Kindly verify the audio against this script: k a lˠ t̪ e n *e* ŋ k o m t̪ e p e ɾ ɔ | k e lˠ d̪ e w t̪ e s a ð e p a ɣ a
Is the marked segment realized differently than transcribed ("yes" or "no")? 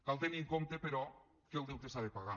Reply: yes